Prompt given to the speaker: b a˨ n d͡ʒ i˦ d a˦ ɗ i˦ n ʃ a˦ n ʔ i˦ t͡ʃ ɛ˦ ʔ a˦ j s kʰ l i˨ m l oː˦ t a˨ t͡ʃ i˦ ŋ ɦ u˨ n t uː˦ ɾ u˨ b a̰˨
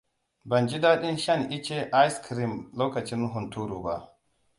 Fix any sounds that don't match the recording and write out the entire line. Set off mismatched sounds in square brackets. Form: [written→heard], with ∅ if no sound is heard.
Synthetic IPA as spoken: b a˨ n d͡ʒ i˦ d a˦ ɗ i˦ n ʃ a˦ n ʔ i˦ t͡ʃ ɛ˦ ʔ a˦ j s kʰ [l→ɾ] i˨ m l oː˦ [t→k] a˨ t͡ʃ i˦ [ŋ→n] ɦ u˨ n t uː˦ ɾ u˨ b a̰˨

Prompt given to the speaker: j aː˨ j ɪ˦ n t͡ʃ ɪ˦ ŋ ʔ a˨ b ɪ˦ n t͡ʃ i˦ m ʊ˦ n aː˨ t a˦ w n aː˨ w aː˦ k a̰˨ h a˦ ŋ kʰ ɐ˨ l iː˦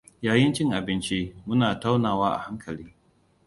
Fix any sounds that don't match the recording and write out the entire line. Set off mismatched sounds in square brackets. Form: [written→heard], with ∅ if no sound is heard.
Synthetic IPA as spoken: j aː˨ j ɪ˦ n t͡ʃ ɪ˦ ŋ ʔ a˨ b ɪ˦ n t͡ʃ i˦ m ʊ˦ n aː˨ t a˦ w n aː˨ w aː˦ [k→ʔ] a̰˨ h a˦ ŋ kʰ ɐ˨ l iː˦

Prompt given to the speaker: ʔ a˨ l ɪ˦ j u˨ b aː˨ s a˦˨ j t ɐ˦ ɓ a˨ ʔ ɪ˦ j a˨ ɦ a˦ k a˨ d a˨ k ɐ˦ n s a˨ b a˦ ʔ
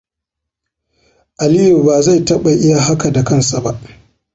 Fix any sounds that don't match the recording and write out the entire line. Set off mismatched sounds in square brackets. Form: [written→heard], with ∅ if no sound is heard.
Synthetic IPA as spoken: ʔ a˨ l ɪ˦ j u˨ b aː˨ [s→z] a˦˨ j t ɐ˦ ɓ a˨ ʔ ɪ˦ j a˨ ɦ a˦ k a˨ d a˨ k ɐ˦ n s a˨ b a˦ ʔ

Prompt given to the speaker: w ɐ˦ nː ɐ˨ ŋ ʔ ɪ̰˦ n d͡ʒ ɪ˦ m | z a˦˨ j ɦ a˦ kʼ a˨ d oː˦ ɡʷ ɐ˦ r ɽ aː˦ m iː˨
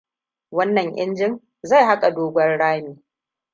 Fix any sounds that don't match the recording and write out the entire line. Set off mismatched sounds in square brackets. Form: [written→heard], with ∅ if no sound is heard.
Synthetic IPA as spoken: w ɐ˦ nː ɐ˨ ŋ ʔ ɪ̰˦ n d͡ʒ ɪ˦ [m→ŋ] | z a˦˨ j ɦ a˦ kʼ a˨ d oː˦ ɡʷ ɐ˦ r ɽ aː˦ m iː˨

